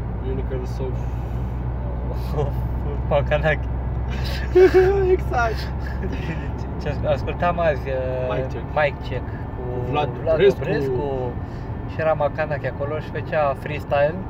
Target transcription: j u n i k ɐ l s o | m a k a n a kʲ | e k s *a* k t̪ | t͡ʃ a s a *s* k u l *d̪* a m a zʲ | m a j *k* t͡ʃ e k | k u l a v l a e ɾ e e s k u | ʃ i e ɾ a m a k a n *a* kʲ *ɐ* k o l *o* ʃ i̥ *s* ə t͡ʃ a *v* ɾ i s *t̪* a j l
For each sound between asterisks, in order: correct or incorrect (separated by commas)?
correct, correct, incorrect, correct, correct, incorrect, correct, incorrect, incorrect, correct